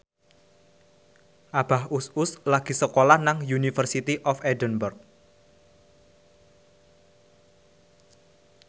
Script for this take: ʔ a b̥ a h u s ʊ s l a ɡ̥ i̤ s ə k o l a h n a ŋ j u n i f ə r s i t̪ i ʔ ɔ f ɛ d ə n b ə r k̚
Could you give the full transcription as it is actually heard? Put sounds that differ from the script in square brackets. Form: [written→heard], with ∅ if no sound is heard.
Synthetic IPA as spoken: ʔ a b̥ a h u s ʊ s l a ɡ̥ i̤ s ə k o l a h n a ŋ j u n i f ə r s i t̪ i ʔ ɔ f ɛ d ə n b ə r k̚